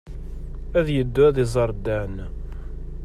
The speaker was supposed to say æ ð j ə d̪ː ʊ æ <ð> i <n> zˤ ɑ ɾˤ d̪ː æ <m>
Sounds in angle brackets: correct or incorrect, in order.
correct, incorrect, incorrect

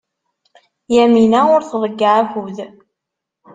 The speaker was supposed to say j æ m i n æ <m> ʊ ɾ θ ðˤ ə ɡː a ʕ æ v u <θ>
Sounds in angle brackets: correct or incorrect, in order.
incorrect, incorrect

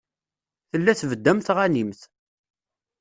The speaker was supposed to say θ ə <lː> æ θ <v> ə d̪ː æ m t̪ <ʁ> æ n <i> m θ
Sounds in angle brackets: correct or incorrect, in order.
correct, correct, correct, correct

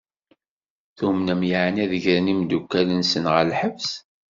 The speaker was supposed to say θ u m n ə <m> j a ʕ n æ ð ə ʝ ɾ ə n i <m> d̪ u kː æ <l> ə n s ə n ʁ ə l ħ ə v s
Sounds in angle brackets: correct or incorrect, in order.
correct, correct, correct

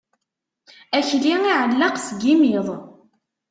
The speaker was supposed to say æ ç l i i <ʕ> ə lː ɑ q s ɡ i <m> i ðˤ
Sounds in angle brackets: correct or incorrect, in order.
correct, correct

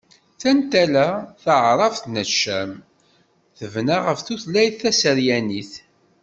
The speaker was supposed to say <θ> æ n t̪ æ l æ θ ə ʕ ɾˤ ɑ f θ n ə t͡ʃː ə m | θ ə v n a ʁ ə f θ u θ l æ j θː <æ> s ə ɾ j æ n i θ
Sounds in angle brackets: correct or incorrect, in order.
correct, correct

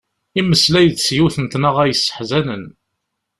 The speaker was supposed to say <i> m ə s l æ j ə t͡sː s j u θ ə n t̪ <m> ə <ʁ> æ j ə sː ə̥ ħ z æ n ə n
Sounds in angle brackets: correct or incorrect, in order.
correct, incorrect, correct

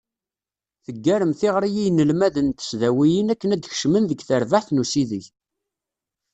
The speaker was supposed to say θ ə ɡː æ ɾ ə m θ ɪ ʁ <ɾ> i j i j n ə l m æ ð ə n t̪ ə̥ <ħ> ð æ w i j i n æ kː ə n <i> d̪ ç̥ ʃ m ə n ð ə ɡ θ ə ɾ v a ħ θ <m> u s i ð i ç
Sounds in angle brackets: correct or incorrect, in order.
correct, incorrect, incorrect, incorrect

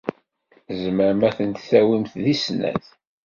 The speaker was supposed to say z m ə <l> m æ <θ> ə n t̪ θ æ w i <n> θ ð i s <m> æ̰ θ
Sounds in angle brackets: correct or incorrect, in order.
incorrect, correct, incorrect, incorrect

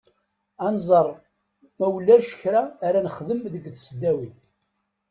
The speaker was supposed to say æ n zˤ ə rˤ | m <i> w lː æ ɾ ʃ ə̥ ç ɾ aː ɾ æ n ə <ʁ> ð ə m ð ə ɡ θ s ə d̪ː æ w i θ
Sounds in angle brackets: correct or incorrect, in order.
incorrect, incorrect

